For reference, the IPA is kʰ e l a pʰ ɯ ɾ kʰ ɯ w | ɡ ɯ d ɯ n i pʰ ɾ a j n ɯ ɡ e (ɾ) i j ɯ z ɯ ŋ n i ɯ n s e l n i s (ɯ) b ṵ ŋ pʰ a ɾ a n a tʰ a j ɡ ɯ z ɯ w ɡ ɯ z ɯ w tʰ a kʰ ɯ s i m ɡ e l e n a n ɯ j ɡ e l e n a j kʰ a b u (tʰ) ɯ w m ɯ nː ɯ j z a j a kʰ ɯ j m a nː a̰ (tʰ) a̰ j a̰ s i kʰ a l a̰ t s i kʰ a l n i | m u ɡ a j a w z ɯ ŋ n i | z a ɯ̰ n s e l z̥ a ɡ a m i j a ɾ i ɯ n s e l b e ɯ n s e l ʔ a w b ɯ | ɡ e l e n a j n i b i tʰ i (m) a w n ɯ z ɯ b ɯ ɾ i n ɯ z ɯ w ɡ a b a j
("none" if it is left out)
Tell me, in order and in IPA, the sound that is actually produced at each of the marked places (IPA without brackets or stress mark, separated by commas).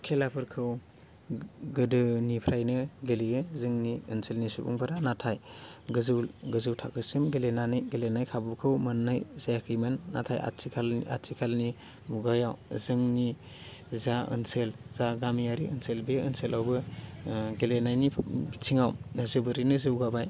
l, u, kʰ, tʰ, ŋ